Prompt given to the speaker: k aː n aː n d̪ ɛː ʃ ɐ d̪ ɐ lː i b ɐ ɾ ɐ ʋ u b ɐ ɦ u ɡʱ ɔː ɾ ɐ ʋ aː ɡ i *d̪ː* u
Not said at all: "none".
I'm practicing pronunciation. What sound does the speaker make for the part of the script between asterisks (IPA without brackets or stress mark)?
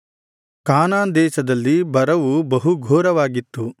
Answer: t̪ː